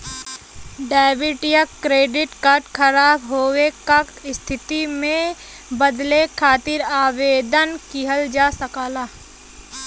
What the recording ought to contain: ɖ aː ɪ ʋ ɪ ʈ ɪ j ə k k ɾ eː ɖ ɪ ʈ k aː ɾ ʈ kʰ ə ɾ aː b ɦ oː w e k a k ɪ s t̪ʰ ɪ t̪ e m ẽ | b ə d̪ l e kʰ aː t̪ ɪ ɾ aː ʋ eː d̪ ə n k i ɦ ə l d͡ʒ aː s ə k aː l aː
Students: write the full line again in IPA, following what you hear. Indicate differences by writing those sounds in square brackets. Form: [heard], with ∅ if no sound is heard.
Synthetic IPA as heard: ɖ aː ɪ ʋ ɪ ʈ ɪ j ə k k ɾ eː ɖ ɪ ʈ k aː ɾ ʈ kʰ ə ɾ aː b ɦ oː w e k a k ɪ s t̪ʰ ɪ t̪ [i] m ẽ | b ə d̪ l e kʰ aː t̪ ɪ ɾ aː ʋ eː d̪ ə n k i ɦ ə l d͡ʒ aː s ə k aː l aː